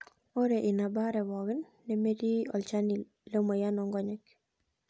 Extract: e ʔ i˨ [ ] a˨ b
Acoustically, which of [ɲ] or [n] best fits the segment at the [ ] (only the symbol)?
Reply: n